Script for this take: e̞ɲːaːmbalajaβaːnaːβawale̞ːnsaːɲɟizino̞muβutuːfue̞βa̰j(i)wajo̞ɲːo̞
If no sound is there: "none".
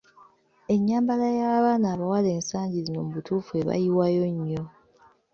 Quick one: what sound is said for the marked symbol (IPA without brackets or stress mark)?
i